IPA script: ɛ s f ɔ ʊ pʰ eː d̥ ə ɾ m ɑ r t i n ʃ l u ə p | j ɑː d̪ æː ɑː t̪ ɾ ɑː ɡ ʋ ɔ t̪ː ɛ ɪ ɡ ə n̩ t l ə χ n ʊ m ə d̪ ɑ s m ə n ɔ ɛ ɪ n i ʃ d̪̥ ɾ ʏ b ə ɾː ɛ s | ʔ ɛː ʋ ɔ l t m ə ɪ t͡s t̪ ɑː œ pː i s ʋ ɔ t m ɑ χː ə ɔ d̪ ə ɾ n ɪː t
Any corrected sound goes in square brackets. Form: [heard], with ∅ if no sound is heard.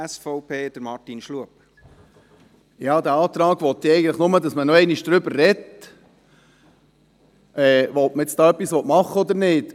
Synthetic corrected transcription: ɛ s f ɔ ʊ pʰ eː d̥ ə ɾ m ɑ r t i n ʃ l u ə p | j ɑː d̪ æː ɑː t̪ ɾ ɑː ɡ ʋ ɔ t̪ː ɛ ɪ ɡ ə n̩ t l ə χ n ʊ m ə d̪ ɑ s m ə n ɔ ɛ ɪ n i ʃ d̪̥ ɾ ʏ b ə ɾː ɛ [t] | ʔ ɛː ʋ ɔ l t m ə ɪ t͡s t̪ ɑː œ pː i s ʋ ɔ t m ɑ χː ə ɔ d̪ ə ɾ n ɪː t